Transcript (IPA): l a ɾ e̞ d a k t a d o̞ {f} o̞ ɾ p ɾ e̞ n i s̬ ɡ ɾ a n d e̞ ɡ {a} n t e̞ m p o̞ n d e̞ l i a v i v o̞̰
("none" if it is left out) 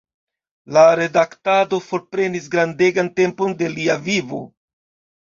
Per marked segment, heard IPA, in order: f, a

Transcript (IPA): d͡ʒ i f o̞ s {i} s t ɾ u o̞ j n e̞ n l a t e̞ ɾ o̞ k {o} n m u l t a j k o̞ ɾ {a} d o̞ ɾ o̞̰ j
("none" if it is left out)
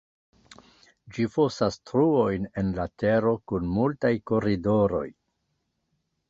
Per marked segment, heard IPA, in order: a, u, i

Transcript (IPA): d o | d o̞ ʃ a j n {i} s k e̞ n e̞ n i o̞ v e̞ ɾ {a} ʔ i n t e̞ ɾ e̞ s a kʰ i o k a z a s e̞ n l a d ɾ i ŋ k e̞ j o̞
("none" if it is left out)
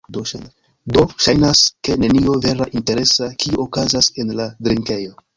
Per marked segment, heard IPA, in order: a, a

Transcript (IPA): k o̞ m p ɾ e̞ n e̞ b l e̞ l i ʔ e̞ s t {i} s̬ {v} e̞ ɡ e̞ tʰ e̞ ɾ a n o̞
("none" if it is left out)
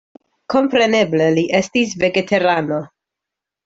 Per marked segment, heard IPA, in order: i, v

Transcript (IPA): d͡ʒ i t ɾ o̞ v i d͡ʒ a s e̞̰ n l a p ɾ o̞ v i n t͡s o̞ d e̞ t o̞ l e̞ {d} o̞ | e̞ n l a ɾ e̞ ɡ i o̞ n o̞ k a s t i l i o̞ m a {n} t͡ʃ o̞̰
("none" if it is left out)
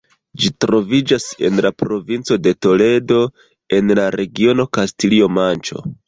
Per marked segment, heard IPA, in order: d, n

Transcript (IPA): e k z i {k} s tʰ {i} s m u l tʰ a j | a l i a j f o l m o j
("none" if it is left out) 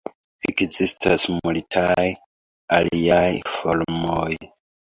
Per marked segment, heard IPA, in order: none, a

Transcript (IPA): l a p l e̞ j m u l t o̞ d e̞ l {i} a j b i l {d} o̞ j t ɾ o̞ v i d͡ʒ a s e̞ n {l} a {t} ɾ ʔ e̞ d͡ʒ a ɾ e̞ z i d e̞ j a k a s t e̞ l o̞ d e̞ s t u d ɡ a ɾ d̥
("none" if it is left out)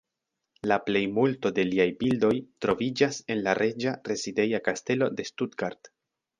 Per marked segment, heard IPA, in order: i, d, l, none

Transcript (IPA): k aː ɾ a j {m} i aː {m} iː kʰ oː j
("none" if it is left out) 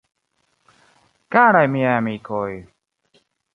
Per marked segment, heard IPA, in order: m, m

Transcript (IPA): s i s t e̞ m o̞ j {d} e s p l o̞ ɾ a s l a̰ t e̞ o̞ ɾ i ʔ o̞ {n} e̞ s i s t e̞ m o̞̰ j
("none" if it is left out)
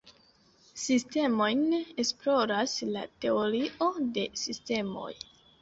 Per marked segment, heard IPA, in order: n, d

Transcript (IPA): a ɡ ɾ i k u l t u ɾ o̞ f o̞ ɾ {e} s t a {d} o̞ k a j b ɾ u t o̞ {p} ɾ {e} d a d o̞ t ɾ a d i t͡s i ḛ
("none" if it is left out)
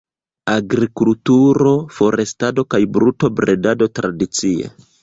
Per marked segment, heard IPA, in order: e, d, b, e

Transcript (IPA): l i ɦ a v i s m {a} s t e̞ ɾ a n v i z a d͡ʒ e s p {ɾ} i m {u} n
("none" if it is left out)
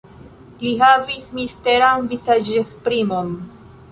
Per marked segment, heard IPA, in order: i, ɾ, o

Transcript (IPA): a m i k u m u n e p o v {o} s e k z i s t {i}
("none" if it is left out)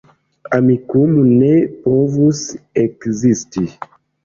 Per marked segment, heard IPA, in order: u, i

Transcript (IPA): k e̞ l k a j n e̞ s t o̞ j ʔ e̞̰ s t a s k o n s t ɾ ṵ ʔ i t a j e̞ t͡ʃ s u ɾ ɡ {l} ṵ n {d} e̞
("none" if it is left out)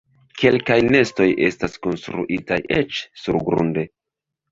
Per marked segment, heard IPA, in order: ɾ, d

